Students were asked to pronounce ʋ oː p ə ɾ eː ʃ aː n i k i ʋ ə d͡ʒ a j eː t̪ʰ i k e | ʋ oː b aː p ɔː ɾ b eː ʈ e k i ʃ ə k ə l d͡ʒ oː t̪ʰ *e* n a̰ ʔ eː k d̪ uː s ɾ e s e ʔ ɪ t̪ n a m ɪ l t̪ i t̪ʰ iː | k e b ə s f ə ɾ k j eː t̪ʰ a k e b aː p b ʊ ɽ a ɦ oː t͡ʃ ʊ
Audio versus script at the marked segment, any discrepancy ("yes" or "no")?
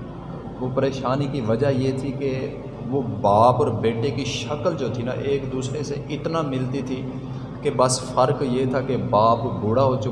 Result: yes